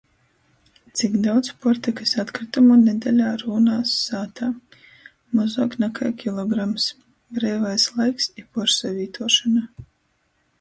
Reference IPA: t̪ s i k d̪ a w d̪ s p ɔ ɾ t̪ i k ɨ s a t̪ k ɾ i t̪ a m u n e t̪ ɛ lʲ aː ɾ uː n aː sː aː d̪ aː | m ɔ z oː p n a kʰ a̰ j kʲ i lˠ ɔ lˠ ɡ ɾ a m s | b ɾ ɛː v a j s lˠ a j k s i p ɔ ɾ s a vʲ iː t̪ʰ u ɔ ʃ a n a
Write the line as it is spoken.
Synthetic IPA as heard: t̪ s i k d̪ a w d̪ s p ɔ ɾ t̪ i k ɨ s a t̪ k ɾ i t̪ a m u n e d̪ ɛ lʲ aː ɾ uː n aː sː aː t̪ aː | m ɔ z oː k n a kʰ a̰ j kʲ i lˠ ɔ ɡ ɾ a m s | b ɾ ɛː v a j s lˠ a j k s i p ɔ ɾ s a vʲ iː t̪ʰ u ɔ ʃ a n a